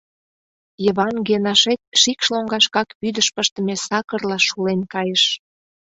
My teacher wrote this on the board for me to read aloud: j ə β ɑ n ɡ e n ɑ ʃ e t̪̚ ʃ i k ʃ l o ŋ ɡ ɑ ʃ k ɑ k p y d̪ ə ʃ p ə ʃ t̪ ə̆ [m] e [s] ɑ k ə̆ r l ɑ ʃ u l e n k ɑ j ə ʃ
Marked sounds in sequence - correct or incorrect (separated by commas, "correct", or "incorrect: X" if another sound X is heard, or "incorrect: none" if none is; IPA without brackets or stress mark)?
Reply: correct, correct